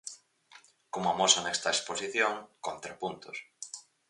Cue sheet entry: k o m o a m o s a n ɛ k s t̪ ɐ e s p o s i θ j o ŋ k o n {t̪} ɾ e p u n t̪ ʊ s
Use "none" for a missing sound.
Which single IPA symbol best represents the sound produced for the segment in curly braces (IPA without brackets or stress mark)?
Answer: t̪